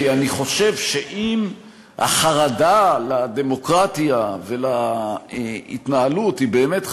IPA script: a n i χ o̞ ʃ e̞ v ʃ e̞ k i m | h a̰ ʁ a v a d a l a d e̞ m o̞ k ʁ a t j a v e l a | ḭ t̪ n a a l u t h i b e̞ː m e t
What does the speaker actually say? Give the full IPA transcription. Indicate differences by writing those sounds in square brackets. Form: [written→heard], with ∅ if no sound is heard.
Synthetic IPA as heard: a n i χ o̞ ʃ e̞ v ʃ e̞ [k→ʔ] i m | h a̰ [ʁ→χ] a [v→ʁ] a d a l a d e̞ m o̞ k ʁ a t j a v e l a | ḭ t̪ n a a l u t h i b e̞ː m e t